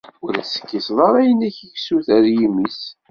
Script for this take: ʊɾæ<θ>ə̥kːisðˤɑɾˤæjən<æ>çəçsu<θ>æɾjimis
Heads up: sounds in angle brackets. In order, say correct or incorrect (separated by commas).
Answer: incorrect, correct, correct